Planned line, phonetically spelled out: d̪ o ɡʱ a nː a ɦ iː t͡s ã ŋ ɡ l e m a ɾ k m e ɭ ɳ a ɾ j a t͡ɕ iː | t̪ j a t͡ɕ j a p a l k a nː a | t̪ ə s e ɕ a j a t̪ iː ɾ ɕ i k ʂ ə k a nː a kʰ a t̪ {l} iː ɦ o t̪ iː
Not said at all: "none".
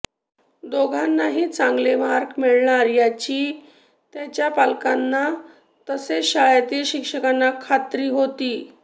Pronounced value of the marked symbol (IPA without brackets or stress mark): ɾ